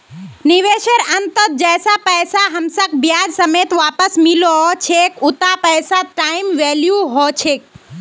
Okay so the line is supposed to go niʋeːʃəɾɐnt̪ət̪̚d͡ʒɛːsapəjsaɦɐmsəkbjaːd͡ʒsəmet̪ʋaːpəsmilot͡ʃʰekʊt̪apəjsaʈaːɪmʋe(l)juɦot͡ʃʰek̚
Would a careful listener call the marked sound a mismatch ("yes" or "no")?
no